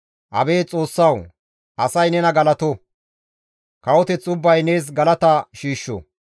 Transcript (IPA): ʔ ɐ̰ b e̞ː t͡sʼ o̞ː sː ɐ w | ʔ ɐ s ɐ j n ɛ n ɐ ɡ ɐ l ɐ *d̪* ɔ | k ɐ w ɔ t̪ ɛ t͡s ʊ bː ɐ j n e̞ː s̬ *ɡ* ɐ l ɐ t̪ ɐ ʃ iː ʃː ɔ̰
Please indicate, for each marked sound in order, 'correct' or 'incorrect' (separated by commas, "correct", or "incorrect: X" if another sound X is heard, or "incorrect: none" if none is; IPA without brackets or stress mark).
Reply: incorrect: t̪, correct